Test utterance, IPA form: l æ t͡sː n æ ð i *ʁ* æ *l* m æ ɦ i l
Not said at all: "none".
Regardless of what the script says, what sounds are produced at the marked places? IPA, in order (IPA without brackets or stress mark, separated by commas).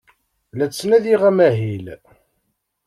ʁ, none